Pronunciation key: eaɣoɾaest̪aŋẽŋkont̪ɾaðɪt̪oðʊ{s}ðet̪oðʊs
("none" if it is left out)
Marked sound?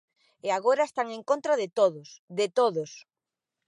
s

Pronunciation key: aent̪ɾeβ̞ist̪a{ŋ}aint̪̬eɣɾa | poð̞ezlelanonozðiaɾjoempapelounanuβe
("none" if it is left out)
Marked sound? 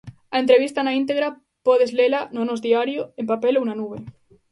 n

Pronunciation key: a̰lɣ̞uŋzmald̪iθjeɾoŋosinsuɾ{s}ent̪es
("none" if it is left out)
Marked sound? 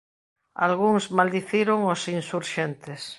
ʃ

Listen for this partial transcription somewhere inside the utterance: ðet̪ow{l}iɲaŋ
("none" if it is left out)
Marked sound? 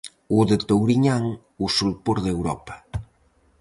ɾ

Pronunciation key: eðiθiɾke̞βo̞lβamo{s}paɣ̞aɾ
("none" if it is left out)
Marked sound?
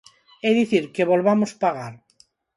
s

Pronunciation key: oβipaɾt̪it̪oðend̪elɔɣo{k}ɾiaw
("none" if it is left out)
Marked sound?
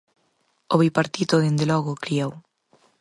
k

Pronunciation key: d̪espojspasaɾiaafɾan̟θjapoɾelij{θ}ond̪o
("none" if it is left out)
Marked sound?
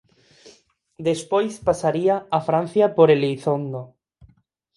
θ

